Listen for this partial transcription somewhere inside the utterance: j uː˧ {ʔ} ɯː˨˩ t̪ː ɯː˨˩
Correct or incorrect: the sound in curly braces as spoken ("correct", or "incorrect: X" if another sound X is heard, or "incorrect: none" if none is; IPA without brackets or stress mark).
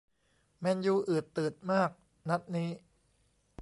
correct